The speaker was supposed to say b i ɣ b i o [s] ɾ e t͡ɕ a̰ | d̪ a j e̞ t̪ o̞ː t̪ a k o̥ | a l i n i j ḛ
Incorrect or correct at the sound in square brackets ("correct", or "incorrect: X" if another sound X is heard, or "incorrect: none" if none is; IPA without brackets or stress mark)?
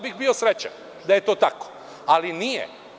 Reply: correct